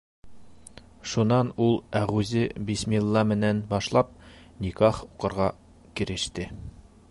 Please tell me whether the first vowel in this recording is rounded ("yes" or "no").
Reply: yes